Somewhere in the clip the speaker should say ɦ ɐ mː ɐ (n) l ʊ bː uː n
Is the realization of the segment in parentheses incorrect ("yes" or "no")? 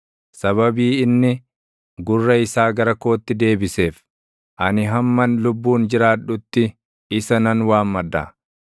no